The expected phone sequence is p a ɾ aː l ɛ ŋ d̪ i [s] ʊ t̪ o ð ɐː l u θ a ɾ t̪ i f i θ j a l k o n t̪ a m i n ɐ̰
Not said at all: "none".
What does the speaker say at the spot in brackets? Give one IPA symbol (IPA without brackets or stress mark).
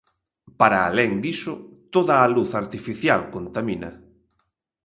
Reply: s